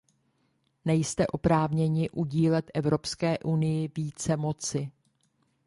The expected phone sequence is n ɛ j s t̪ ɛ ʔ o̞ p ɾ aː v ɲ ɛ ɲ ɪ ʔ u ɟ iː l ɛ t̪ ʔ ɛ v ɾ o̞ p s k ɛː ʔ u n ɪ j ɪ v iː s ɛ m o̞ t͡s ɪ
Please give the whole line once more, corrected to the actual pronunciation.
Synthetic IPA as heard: n ɛ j s t̪ ɛ ʔ o̞ p ɾ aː v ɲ ɛ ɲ ɪ ʔ u ɟ iː l ɛ t̪ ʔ ɛ v ɾ o̞ p s k ɛː ʔ u n ɪ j ɪ v iː t͡s ɛ m o̞ t͡s ɪ